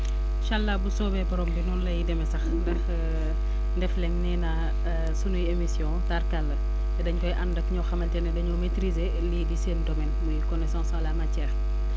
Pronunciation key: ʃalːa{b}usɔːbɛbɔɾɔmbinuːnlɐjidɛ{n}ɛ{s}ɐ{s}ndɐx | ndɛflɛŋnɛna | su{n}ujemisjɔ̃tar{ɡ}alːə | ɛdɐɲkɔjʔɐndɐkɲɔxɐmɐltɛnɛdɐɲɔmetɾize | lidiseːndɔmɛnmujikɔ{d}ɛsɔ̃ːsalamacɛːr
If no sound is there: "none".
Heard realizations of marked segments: b, m, s, x, n, k, n

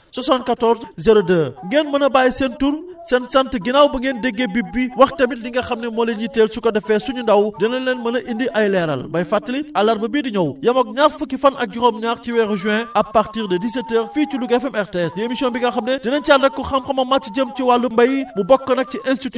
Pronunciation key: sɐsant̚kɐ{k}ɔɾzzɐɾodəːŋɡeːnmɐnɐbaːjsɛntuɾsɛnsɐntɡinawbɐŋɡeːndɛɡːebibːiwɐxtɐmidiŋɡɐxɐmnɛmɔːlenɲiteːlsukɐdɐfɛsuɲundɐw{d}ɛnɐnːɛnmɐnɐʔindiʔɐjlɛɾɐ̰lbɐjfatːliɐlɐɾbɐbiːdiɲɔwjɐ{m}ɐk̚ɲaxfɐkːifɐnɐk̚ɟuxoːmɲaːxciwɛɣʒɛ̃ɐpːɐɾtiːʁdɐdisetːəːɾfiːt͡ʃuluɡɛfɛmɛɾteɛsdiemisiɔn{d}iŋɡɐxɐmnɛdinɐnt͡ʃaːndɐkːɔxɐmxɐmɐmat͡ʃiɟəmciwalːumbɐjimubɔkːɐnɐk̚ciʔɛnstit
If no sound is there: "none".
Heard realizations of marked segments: t, d, m, b

